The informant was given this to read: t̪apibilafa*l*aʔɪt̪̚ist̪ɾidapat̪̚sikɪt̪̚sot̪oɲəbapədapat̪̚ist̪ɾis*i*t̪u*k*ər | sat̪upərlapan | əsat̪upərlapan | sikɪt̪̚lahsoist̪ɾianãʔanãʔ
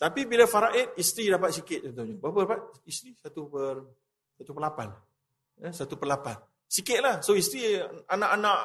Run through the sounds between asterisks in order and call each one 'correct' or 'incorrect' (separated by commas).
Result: incorrect, incorrect, incorrect